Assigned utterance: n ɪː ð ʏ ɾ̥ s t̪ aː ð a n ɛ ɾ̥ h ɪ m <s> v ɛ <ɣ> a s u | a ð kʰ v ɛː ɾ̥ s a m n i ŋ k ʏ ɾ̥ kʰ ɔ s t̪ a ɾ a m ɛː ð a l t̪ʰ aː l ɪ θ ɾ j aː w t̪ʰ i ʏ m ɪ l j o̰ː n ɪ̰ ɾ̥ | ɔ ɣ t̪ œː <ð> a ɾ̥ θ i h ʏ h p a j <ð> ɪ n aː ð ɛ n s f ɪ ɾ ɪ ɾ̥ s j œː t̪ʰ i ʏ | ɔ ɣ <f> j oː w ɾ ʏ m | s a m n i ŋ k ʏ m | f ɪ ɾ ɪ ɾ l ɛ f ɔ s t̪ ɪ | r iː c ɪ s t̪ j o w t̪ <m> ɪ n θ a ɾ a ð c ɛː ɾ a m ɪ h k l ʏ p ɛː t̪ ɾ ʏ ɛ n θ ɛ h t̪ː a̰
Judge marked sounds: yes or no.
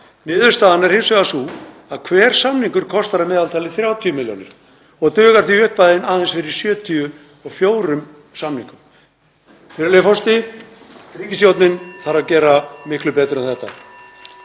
yes, yes, no, yes, yes, no

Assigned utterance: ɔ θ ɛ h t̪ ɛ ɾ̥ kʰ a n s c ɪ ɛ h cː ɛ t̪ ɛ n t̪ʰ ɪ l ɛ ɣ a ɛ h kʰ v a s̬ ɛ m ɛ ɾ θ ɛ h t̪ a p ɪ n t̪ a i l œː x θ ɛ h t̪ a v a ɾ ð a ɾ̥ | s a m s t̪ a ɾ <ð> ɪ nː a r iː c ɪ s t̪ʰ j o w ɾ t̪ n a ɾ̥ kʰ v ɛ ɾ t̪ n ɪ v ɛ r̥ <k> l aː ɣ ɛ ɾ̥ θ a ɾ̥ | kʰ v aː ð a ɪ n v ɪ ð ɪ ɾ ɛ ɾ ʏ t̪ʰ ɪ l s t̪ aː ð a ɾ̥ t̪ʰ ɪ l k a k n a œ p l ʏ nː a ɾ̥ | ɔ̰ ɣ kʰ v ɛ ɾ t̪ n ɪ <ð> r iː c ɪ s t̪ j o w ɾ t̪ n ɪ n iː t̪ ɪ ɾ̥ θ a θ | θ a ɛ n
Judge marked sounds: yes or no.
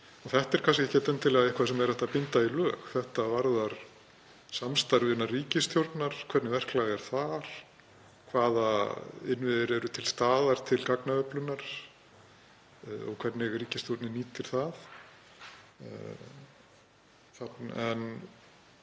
no, yes, no

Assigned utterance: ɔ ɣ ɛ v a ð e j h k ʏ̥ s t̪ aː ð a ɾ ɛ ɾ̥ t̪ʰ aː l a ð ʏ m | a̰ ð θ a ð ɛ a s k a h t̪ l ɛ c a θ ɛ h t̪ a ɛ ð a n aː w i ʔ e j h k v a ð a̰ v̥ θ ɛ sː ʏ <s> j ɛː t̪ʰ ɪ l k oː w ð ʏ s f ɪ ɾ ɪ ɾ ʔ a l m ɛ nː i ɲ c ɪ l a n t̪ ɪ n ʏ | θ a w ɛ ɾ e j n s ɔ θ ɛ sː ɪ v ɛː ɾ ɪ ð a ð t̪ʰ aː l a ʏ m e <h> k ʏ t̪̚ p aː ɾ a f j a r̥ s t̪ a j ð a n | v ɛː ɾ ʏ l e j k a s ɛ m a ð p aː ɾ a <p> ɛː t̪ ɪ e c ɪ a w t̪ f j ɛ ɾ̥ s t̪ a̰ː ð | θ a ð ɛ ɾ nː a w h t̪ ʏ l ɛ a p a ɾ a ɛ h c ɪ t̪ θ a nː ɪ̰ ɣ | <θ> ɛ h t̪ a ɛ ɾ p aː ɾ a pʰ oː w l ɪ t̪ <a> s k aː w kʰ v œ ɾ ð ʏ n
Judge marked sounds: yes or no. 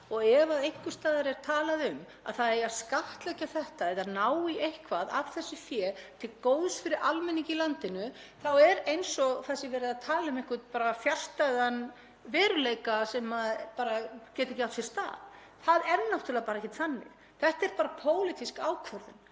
no, yes, no, yes, no

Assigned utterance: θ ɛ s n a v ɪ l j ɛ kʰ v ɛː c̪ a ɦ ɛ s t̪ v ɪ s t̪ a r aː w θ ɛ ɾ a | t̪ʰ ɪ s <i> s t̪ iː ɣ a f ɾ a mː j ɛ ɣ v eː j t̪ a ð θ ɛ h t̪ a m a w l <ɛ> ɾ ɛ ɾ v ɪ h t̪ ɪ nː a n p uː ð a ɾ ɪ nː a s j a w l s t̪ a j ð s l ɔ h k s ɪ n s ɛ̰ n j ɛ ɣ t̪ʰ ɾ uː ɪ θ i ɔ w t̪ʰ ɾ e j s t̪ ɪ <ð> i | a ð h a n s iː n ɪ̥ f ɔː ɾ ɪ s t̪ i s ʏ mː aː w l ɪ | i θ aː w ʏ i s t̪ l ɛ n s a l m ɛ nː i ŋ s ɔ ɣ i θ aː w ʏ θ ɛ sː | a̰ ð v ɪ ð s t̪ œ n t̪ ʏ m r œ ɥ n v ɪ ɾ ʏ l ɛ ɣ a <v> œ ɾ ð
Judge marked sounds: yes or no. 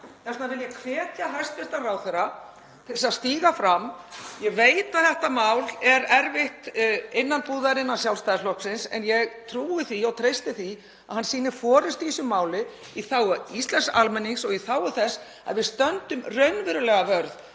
no, yes, no, yes

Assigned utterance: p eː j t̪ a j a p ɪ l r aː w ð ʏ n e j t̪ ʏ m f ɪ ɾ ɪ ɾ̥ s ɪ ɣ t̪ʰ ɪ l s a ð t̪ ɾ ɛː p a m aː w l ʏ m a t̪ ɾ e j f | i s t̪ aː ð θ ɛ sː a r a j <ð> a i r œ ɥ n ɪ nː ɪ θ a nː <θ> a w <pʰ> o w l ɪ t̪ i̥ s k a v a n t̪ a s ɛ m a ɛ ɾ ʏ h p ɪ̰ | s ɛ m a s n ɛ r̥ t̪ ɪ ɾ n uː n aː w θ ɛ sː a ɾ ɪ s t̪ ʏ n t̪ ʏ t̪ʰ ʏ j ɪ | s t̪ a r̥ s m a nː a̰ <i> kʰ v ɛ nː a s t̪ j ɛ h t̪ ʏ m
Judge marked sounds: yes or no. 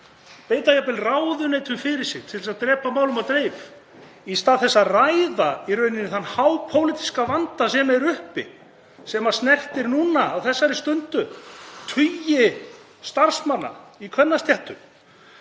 yes, no, yes, yes

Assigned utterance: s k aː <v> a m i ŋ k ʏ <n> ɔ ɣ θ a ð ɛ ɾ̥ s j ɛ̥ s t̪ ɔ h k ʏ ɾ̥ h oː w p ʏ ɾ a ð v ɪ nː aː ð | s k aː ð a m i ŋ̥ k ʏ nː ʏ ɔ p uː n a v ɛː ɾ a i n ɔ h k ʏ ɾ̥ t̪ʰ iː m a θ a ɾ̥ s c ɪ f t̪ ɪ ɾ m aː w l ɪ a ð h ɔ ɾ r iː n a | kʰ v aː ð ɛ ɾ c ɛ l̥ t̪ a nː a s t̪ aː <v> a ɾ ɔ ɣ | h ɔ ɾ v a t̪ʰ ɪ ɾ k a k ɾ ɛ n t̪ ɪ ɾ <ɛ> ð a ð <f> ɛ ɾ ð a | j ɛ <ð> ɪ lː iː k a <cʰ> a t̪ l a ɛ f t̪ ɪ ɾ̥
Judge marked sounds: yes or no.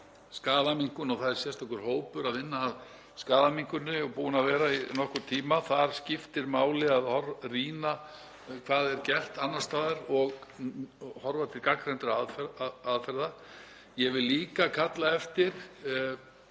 no, yes, no, no, yes, no, no

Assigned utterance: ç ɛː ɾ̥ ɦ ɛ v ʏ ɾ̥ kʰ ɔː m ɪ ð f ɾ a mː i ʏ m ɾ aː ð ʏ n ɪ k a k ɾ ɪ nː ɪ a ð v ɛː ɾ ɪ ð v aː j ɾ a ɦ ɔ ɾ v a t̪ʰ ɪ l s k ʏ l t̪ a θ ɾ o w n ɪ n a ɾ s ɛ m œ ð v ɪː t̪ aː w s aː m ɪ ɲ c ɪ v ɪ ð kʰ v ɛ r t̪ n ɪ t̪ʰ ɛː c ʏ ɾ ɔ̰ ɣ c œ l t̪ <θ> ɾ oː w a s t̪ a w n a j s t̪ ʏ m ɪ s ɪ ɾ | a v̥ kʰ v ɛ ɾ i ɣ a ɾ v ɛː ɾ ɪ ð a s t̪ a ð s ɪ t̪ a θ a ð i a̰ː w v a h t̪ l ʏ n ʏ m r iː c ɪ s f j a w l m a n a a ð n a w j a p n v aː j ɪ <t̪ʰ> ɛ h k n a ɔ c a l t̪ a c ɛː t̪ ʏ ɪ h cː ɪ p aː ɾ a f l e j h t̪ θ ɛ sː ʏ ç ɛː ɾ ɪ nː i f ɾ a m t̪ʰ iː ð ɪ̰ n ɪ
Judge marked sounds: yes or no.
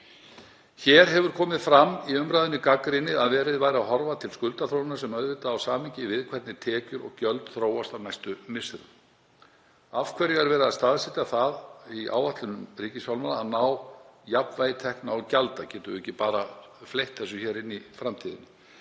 yes, yes

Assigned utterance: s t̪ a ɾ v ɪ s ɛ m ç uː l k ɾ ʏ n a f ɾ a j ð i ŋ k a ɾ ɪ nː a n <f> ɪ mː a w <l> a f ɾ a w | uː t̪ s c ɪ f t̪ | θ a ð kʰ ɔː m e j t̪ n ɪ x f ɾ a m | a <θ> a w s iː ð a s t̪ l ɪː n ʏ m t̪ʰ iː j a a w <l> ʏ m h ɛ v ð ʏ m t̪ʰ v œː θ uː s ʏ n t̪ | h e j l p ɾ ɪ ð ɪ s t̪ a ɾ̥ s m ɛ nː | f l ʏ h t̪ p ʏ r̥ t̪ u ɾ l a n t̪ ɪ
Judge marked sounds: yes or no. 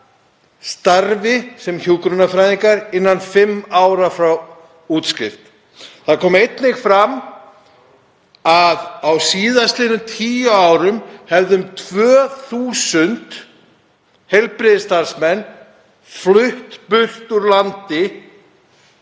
yes, no, no, no

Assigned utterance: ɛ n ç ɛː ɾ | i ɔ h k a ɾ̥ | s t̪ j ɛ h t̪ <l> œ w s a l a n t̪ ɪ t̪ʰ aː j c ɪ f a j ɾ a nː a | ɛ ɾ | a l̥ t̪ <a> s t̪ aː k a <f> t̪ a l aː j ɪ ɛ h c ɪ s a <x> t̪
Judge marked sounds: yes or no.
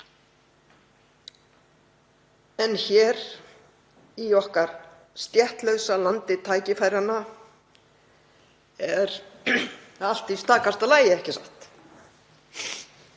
yes, no, no, no

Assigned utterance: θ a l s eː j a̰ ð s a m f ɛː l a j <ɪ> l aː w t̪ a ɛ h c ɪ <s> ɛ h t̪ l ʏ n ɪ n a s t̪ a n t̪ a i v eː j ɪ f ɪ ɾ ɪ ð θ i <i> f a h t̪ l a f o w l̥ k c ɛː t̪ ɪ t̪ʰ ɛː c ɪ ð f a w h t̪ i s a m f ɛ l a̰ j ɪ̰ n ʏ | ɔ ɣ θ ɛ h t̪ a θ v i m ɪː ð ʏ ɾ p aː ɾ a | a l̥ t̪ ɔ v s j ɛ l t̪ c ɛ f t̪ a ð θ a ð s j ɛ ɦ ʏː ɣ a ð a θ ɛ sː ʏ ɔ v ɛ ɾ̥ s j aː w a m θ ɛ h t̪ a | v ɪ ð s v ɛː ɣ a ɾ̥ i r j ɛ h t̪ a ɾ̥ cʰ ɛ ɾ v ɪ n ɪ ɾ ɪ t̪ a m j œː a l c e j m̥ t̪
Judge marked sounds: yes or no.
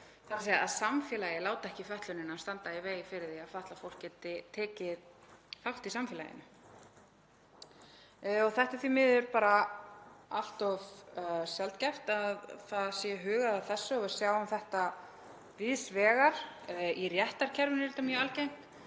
yes, no, no

